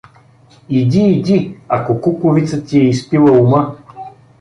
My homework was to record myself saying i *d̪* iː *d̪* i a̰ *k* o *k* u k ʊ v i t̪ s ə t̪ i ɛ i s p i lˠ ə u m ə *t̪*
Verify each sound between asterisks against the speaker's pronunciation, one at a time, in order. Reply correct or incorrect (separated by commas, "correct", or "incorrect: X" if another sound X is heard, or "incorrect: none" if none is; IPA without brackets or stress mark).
correct, correct, correct, correct, incorrect: none